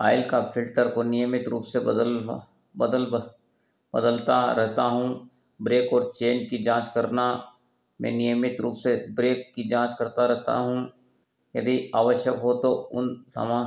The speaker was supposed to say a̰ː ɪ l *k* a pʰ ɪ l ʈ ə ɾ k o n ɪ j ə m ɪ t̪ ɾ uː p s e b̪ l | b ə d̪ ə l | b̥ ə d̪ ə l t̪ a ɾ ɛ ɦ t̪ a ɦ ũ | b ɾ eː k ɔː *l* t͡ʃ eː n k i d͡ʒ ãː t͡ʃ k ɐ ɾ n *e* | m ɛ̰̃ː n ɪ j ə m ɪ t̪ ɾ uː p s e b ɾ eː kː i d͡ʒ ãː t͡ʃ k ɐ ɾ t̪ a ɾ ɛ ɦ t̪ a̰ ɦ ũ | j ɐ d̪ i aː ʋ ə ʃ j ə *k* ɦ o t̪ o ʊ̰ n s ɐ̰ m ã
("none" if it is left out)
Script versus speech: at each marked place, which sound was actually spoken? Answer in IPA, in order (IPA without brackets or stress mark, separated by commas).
k, ɾ, a, k